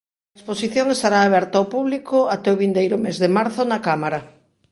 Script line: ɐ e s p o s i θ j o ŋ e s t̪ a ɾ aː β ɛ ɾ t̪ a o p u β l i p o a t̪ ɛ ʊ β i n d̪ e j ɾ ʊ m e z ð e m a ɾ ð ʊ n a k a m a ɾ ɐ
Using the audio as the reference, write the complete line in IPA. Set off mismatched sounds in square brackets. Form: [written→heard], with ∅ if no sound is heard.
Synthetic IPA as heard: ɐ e s p o s i θ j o ŋ e s t̪ a ɾ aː β ɛ ɾ t̪ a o p u β l i [p→k] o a t̪ ɛ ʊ β i n d̪ e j ɾ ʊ m e z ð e m a ɾ [ð→θ] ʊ n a k a m a ɾ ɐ